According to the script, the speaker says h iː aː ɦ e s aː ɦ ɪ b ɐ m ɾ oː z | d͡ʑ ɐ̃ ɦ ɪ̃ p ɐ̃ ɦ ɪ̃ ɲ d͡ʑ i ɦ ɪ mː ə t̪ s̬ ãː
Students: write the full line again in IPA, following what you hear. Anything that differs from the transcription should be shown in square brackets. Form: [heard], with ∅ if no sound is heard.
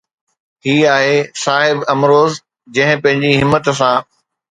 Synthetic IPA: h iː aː ɦ e s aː ɦ ɪ b ɐ m ɾ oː z | d͡ʑ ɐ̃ ɦ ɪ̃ p ɐ̃ ɦ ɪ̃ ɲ d͡ʑ i ɦ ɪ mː ə t̪ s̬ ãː